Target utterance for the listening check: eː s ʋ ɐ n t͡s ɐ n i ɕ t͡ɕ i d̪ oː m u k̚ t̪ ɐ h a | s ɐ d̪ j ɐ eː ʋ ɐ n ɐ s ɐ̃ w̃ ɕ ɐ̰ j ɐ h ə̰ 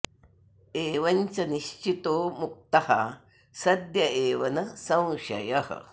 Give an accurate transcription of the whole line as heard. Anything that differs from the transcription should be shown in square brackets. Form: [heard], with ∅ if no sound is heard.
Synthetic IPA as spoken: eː [∅] ʋ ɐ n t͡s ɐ n i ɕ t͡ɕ i [t̪] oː m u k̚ t̪ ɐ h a | s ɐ d̪ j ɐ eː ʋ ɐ n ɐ s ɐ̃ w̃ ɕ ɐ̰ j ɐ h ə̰

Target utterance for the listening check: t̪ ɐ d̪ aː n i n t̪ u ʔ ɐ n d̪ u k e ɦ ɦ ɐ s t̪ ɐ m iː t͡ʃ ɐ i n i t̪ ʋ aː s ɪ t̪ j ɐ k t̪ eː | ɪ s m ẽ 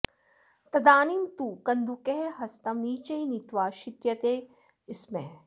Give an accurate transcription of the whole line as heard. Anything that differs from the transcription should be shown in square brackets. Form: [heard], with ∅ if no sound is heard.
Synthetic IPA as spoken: t̪ ɐ d̪ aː n i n t̪ u [k] ɐ n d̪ u k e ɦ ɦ ɐ s t̪ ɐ m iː t͡ʃ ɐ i n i t̪ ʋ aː [ʃ] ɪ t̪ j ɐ [∅] t̪ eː | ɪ s m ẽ

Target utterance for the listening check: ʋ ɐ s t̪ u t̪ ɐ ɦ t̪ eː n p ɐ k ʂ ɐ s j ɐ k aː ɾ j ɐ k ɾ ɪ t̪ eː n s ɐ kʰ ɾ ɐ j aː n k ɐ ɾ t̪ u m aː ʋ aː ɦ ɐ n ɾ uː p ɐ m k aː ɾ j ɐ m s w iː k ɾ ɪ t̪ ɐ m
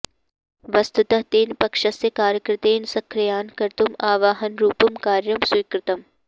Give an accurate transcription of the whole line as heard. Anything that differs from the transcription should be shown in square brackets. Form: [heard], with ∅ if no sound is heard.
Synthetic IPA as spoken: ʋ ɐ s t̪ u t̪ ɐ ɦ t̪ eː n p ɐ k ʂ ɐ s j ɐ k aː ɾ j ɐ k ɾ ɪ t̪ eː n s ɐ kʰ ɾ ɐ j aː n k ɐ ɾ t̪ u m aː ʋ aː ɦ ɐ n ɾ uː p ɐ m k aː ɾ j ɐ m s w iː k ɾ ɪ t̪ ɐ m

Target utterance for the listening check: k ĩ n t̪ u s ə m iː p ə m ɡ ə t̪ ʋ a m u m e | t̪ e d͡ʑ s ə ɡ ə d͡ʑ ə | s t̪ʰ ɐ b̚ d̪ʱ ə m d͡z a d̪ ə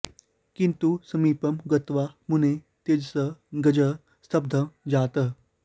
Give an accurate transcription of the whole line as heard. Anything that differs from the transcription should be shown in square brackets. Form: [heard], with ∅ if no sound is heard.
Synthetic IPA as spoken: k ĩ n t̪ u s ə m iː p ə m ɡ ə t̪ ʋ a m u [n] e | t̪ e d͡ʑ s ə ɡ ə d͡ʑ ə | s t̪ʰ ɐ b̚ d̪ʱ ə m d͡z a [t̪] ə

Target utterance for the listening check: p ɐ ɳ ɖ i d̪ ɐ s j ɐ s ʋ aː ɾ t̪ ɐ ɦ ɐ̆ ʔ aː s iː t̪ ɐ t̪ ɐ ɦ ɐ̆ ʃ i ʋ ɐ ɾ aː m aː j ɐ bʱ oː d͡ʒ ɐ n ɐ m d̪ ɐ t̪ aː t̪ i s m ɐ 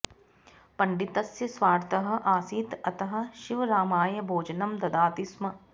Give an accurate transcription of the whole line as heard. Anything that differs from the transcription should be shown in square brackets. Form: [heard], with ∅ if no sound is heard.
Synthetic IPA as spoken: p ɐ ɳ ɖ i [t̪] ɐ s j ɐ s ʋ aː ɾ t̪ ɐ ɦ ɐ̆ ʔ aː s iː t̪ ɐ t̪ ɐ ɦ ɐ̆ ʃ i ʋ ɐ ɾ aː m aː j ɐ bʱ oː d͡ʒ ɐ n ɐ m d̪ ɐ [d̪] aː t̪ i s m ɐ

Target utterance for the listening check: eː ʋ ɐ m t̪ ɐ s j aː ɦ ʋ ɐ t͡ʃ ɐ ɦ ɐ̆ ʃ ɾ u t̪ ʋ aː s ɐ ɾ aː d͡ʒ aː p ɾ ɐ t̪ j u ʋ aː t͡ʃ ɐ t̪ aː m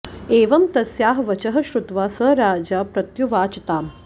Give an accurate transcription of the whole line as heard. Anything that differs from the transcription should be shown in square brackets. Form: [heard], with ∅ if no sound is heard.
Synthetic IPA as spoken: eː ʋ ɐ m t̪ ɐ s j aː ɦ ʋ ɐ t͡ʃ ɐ ɦ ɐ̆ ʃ ɾ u t̪ ʋ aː s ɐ ɾ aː d͡ʒ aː p ɾ ɐ t̪ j u ʋ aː t͡ʃ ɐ t̪ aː m

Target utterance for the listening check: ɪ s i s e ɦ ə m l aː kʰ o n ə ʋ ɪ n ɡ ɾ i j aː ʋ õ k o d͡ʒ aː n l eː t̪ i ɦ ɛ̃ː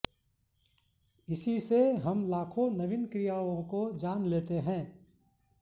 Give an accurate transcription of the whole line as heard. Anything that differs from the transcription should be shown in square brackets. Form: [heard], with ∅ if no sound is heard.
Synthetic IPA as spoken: ɪ s i s e ɦ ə m l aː kʰ o n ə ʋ ɪ n [k] ɾ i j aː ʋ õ k o d͡ʒ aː n l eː t̪ [e] ɦ ɛ̃ː

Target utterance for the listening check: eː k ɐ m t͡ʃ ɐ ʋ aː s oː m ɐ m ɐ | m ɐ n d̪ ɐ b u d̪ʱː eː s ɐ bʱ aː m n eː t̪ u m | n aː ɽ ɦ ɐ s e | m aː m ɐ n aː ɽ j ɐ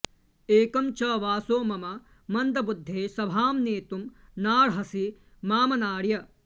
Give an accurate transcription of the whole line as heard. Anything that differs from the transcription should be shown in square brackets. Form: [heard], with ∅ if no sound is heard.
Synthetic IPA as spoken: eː k ɐ m t͡ʃ ɐ ʋ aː s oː m ɐ m ɐ | m ɐ n d̪ ɐ b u d̪ʱː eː s ɐ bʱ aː m n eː t̪ u m | n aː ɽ ɦ ɐ s [i] | m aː m ɐ n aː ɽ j ɐ

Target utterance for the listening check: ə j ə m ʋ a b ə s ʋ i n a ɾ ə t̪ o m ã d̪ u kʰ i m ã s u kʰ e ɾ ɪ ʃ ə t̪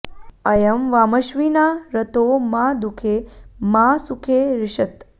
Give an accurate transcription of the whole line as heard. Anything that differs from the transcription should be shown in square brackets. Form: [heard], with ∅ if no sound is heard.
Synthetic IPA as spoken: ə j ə m ʋ a [m] ə [ʃ] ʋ i n a ɾ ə t̪ o m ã d̪ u kʰ [e] m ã s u kʰ e ɾ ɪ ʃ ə t̪

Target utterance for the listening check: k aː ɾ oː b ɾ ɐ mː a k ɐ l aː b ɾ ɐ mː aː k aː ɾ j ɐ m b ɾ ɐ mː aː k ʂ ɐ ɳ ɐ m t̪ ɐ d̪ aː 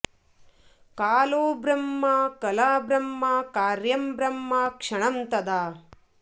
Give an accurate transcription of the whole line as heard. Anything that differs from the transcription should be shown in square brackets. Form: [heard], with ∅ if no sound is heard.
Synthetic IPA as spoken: k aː [l] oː b ɾ ɐ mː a k ɐ l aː b ɾ ɐ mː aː k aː ɾ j ɐ m b ɾ ɐ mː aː k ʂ ɐ ɳ ɐ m t̪ ɐ d̪ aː

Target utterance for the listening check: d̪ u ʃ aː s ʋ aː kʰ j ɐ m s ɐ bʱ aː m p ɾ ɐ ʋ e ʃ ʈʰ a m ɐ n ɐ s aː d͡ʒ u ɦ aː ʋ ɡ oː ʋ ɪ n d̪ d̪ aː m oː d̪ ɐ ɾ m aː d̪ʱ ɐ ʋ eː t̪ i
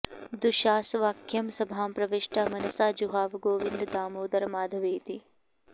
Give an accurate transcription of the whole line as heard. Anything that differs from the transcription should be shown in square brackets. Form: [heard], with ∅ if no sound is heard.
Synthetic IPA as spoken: d̪ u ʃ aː s ʋ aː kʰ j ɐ m s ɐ bʱ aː m p ɾ ɐ ʋ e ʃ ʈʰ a m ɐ n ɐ s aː d͡ʒ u ɦ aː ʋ ɡ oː ʋ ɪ n d̪ d̪ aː m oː d̪ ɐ ɾ m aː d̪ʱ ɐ ʋ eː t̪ i

